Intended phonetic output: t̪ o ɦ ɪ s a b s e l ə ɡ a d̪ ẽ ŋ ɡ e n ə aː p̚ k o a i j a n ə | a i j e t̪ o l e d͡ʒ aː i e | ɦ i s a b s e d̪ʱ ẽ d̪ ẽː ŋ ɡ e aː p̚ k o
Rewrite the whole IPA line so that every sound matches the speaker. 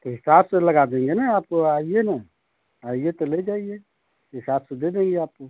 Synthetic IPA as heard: t̪ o ɦ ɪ s a b s e l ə ɡ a d̪ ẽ ŋ ɡ e n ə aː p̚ k o a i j e n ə | a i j e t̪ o l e d͡ʒ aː i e | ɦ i s a b s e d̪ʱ e d̪ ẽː ŋ ɡ e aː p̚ k o

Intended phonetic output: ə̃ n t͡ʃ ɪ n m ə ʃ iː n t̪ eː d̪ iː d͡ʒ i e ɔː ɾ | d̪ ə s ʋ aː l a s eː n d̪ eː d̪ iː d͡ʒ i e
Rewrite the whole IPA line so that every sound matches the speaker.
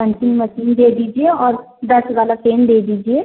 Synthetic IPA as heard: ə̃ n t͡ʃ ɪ n m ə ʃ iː n d̪ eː d̪ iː d͡ʒ i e ɔː ɾ | d̪ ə s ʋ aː l a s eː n d̪ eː d̪ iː d͡ʒ i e

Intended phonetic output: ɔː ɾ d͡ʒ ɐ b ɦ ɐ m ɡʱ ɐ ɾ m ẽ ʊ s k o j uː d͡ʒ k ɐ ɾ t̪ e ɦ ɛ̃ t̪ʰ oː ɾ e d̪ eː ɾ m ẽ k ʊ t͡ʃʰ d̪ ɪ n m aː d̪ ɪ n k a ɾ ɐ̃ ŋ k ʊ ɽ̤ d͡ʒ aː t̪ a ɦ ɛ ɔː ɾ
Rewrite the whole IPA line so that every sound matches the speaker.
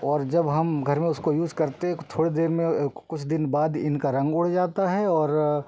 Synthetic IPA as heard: ɔː ɾ d͡ʒ ɐ b ɦ ɐ m ɡʱ ɐ ɾ m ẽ ʊ s k o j uː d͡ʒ k ɐ ɾ t̪ e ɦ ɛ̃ t̪ʰ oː ɽ e d̪ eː ɾ m ẽ k ʊ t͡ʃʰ d̪ ɪ n b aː d̪ ɪ n k a ɾ ɐ̃ ŋ ɡ ʊ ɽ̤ d͡ʒ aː t̪ a ɦ ɛ ɔː ɾ

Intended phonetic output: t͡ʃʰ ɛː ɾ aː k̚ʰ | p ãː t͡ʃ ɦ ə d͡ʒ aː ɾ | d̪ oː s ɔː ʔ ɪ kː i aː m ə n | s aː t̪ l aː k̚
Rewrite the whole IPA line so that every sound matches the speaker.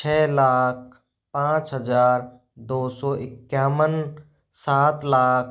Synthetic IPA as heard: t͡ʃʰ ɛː l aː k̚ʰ | p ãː t͡ʃ ɦ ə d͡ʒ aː ɾ | d̪ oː s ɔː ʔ ɪ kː j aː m ə n | s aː t̪ l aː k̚

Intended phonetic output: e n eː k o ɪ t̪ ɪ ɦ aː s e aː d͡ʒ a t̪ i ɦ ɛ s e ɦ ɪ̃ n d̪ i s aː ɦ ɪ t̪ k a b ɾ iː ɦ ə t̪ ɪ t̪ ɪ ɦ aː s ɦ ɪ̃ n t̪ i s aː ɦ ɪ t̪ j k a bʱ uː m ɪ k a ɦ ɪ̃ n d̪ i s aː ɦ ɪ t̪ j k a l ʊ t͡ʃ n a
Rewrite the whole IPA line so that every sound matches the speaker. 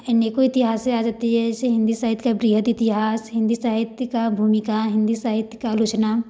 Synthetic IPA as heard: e n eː k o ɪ t̪ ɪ ɦ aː s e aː d͡ʒ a t̪ i ɦ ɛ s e ɦ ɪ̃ n d̪ i s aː ɦ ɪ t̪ k a b ɾ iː ɦ ə t̪ ɪ t̪ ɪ ɦ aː s ɦ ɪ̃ n d̪ i s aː ɦ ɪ t̪ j k a bʱ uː m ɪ k a ɦ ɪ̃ n d̪ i s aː ɦ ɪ t̪ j k a l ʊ t͡ʃ n a

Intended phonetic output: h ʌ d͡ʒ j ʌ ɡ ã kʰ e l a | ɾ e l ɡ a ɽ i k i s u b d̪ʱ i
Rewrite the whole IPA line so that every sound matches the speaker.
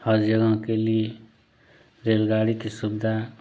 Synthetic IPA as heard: h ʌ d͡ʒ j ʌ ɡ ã k e l i | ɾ e l ɡ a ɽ i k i s u b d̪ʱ a

